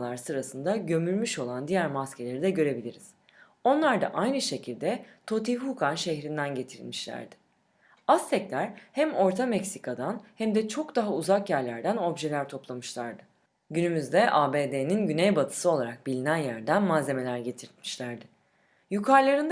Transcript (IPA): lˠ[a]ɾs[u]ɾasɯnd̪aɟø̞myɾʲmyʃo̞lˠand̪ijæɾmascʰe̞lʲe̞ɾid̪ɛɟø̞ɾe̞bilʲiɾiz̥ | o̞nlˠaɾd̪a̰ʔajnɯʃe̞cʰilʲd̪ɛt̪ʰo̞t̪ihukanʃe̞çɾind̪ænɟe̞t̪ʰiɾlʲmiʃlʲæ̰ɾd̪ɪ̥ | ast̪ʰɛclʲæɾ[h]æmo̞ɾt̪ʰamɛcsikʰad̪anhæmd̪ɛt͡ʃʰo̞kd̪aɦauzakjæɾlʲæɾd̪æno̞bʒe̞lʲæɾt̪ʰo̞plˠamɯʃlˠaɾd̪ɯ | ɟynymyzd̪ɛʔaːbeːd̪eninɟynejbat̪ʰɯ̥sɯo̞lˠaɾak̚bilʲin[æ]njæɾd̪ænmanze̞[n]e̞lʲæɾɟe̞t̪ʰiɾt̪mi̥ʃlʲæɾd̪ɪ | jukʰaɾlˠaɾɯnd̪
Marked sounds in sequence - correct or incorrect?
correct, incorrect, correct, correct, incorrect

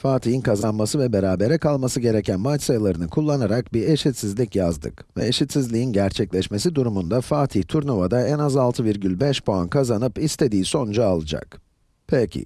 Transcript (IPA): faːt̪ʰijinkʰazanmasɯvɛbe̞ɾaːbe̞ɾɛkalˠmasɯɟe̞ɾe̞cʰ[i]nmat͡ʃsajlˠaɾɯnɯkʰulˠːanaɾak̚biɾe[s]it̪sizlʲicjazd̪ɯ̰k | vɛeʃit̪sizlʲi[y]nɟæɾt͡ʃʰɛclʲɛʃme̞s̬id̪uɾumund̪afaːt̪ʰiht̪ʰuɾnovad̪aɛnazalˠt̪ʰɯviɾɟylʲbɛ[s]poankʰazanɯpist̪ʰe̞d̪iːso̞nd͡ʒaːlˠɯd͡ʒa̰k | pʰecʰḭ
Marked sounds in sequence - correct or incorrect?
incorrect, incorrect, incorrect, incorrect

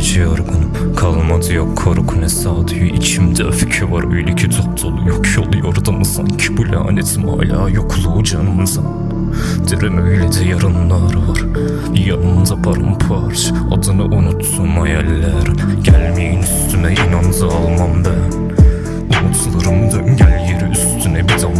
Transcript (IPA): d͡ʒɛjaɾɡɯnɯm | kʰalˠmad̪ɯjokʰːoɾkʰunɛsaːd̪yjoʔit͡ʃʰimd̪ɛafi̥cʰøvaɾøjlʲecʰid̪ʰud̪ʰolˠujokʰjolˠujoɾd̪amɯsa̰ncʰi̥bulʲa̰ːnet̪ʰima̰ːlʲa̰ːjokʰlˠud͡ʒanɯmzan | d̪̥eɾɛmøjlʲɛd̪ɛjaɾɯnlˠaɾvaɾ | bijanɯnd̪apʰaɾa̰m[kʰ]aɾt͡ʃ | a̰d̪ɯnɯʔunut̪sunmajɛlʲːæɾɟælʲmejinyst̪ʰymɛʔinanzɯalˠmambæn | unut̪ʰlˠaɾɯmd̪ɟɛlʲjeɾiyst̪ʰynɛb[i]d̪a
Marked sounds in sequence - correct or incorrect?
incorrect, correct

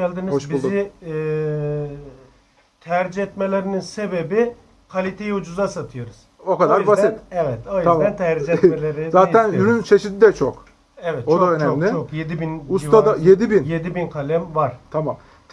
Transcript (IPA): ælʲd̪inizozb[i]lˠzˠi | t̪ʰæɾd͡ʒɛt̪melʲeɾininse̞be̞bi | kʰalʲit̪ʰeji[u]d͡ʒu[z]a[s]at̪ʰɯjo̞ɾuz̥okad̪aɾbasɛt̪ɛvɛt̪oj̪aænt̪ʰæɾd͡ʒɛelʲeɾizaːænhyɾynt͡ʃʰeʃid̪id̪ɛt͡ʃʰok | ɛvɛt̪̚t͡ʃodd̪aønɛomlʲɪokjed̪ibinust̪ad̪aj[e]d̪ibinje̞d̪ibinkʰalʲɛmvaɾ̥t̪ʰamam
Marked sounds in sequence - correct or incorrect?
correct, correct, correct, correct, correct

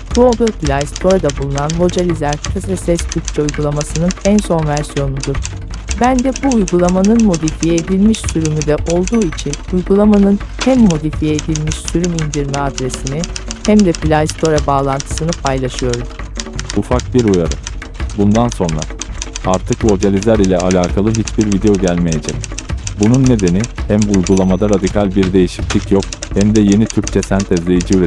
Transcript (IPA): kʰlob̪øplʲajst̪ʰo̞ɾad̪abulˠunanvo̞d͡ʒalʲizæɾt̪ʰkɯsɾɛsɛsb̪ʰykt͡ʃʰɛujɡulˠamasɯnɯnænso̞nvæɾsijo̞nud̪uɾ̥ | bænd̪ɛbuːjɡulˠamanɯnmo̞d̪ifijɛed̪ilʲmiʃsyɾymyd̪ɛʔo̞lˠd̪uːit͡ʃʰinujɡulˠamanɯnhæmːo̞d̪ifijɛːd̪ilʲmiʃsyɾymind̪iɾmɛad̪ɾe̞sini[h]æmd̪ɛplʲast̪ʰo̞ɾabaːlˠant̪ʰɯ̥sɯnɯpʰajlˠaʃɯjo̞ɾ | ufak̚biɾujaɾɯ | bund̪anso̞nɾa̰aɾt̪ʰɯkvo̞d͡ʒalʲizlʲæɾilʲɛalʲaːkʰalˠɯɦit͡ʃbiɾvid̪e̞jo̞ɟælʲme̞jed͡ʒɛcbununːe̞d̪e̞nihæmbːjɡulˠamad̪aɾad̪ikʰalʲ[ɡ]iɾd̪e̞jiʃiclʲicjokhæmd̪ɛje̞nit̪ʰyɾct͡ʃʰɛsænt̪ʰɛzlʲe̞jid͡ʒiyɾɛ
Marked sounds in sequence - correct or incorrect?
correct, incorrect

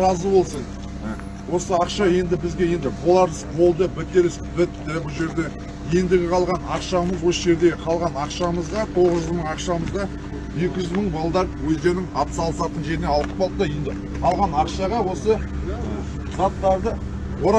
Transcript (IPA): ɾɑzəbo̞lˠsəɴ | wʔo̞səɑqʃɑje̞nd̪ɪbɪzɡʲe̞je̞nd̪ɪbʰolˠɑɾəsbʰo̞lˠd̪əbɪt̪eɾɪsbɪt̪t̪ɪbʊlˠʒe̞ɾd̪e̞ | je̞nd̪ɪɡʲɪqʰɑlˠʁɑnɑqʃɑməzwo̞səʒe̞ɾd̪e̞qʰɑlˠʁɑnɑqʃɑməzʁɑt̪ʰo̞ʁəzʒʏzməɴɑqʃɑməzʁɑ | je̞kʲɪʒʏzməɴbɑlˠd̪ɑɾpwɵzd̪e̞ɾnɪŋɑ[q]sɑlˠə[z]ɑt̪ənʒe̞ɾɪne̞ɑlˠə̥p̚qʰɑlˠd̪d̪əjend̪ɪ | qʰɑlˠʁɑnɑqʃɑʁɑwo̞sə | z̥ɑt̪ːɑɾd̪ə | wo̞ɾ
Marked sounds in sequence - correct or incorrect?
incorrect, incorrect

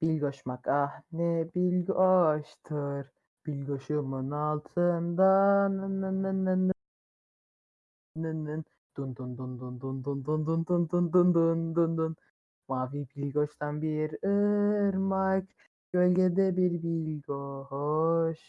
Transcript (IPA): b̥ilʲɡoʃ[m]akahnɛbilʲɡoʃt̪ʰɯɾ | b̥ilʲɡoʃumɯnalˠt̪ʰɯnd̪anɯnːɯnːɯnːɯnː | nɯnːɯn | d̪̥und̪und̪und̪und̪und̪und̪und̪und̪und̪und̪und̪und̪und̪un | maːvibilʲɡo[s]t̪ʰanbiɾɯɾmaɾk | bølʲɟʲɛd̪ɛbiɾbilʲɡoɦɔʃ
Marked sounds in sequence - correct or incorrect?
correct, incorrect

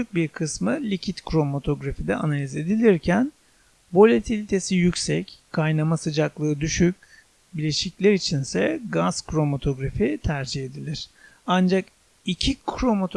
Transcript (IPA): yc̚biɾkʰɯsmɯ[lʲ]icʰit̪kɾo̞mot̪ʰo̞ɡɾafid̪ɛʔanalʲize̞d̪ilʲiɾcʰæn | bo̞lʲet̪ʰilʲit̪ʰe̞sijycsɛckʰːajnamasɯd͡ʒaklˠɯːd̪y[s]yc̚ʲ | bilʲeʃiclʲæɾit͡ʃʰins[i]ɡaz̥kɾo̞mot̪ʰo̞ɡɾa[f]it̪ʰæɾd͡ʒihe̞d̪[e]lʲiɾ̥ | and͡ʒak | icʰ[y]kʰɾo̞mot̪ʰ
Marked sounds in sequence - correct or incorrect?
correct, incorrect, incorrect, correct, incorrect, incorrect

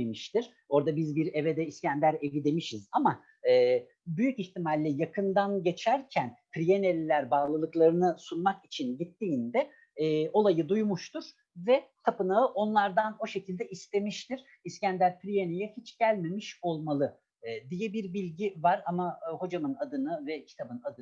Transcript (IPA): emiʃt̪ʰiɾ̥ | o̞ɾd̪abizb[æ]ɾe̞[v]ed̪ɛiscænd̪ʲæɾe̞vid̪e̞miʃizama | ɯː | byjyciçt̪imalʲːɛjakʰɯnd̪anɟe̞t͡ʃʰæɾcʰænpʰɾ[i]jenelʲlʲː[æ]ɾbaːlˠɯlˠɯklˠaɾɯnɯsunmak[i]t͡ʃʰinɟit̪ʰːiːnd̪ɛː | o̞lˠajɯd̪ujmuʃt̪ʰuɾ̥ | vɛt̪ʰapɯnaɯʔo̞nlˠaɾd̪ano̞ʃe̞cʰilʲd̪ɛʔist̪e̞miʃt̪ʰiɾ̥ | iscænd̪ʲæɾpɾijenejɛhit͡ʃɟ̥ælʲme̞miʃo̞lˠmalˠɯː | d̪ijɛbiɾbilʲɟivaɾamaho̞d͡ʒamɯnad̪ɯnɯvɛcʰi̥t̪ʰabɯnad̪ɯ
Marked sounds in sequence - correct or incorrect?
incorrect, correct, correct, correct, correct

